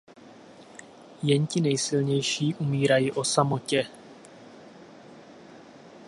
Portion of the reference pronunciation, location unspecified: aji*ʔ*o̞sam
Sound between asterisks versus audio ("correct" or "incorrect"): correct